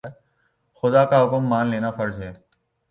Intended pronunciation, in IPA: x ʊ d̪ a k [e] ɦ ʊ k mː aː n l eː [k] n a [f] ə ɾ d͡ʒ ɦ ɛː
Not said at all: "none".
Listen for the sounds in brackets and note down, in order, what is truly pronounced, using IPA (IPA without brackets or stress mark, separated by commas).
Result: a, none, f